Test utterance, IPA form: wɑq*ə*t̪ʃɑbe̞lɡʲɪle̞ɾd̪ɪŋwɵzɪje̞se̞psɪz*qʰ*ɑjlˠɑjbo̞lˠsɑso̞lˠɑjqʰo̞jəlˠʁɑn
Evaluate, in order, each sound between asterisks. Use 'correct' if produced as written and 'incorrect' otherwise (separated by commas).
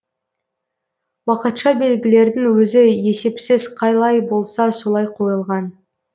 correct, correct